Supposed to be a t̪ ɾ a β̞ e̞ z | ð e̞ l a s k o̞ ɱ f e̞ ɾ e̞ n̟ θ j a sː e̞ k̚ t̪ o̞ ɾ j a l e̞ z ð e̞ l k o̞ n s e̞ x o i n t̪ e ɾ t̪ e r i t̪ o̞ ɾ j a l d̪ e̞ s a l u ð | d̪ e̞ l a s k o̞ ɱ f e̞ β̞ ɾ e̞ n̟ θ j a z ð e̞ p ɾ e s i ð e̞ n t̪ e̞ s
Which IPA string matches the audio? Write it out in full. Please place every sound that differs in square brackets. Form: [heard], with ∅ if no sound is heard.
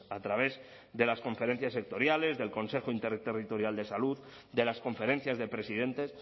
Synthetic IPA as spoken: a t̪ ɾ a β̞ e̞ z | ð e̞ l a s k o̞ ɱ f e̞ ɾ e̞ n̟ θ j a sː e̞ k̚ t̪ o̞ ɾ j a l e̞ z ð e̞ l k o̞ n s e̞ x o i n t̪ e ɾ t̪ e r i t̪ o̞ ɾ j a l d̪ e̞ s a l u ð | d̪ e̞ l a s k o̞ ɱ f e̞ [∅] ɾ e̞ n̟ θ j a z ð e̞ p ɾ e s i ð e̞ n t̪ e̞ s